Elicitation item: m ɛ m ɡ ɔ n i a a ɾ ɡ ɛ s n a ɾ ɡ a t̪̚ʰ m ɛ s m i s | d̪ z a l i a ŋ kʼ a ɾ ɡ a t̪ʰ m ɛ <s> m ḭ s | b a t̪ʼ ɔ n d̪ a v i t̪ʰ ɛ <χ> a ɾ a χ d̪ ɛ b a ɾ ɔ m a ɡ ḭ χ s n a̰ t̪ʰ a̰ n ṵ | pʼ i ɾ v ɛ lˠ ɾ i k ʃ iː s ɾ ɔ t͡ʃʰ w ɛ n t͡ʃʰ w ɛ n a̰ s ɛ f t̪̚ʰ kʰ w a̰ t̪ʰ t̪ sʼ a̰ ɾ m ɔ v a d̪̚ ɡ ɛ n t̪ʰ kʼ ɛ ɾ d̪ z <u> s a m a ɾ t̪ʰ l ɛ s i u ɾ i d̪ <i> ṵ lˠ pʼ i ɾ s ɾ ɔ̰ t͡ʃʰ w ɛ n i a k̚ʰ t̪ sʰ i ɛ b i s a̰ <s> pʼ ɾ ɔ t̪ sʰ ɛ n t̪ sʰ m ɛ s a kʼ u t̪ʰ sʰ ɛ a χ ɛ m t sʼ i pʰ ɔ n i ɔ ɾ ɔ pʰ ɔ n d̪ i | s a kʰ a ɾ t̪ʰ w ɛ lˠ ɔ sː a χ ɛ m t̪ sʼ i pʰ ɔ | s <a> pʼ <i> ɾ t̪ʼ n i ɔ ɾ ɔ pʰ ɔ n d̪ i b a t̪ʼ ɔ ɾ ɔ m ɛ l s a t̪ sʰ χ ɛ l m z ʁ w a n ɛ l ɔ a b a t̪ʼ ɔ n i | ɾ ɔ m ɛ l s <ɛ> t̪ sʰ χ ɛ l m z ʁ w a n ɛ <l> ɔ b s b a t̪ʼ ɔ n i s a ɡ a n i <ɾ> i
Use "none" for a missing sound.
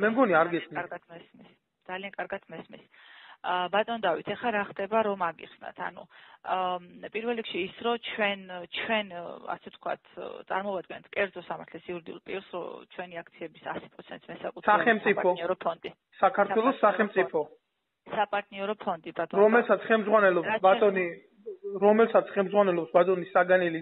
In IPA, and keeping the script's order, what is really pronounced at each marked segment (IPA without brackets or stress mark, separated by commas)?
s, χ, ɔ, i, s, a, a, a, l, l